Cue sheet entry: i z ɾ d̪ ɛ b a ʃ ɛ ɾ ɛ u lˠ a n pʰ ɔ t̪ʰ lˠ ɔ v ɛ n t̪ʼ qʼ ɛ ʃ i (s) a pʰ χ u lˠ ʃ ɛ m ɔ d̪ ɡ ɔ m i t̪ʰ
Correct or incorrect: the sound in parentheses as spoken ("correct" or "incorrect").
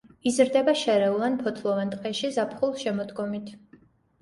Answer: incorrect